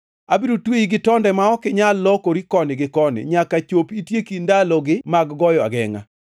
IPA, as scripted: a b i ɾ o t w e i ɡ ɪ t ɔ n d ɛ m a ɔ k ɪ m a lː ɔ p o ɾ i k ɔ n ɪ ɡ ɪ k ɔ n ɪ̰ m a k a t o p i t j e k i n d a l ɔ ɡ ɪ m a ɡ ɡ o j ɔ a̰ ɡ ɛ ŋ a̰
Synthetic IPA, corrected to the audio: a b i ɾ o t w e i ɡ ɪ t ɔ n d ɛ m a ɔ k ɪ ɲ a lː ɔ k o ɾ i k ɔ n ɪ ɡ ɪ k ɔ n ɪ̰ ɲ a k a t͡ʃ o p i t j e k i n d a l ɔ ɡ ɪ m a ɡ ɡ ɔ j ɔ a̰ ɡ ɛ ŋ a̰